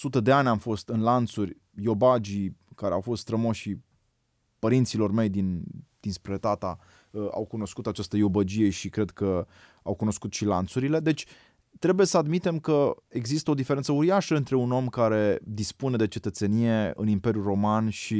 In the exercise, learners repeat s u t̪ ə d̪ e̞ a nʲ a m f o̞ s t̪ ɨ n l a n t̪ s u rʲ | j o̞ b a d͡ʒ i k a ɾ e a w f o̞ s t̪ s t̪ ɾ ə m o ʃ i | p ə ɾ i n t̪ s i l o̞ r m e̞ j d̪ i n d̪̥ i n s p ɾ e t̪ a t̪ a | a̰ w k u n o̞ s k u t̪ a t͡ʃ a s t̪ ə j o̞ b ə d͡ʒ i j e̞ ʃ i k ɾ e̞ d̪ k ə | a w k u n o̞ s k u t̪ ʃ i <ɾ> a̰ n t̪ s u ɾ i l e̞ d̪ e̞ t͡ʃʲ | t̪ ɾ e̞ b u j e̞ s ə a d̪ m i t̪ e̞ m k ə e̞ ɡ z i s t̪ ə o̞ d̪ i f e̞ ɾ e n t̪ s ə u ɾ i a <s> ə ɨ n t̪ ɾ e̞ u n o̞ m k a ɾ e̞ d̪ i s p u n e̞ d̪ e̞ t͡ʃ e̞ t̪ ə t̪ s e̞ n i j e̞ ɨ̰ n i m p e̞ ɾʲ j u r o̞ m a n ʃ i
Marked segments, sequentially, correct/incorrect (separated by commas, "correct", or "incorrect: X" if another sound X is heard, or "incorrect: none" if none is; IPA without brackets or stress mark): incorrect: l, incorrect: ʃ